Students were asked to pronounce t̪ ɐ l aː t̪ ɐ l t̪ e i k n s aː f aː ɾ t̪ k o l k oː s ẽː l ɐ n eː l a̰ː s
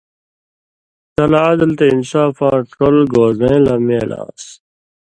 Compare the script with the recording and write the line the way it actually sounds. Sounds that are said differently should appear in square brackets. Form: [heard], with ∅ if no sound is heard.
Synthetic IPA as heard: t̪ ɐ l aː [d̪] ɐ l t̪ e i [∅] n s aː f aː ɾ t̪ k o l [ɡ] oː [z] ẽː l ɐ [m] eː l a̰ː s